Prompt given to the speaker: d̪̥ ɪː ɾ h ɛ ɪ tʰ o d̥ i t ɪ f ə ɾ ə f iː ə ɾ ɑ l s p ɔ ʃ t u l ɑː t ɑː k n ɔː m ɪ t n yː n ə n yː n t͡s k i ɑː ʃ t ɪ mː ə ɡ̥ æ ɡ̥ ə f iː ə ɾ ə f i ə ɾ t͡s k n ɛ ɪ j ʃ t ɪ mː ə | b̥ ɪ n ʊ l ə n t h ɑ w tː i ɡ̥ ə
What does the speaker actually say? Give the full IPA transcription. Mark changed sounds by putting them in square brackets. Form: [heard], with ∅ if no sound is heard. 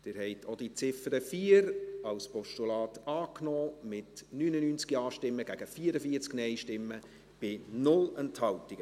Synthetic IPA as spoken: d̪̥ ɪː ɾ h ɛ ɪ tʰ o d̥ i [t͡s] ɪ f ə ɾ ə f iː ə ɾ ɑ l s p ɔ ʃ t u l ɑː t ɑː k n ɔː m ɪ t n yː n ə n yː n t͡s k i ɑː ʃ t ɪ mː ə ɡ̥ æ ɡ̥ ə f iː ə ɾ ə f i ə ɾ t͡s k n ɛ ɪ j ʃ t ɪ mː ə | b̥ ɪ n ʊ l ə n t h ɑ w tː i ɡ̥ ə